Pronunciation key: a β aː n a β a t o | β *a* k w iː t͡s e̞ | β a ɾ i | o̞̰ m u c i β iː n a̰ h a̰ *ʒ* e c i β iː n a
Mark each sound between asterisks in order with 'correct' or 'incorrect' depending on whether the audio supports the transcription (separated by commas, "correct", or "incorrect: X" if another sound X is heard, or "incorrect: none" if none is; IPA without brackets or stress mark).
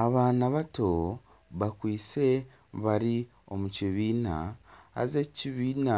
correct, incorrect: z